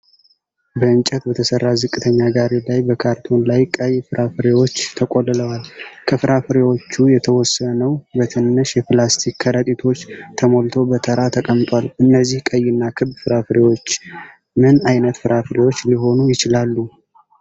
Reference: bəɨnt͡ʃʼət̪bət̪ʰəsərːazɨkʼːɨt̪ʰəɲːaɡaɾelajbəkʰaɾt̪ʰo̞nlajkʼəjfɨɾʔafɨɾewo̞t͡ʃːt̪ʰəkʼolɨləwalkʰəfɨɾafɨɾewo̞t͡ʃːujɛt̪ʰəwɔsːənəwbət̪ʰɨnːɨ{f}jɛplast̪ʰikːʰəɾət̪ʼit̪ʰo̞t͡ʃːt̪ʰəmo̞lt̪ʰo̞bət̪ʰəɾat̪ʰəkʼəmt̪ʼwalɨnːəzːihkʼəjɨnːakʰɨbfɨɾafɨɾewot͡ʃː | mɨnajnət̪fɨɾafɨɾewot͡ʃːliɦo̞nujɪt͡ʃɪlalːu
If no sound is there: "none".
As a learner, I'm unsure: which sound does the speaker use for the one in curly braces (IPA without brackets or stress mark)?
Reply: ʃ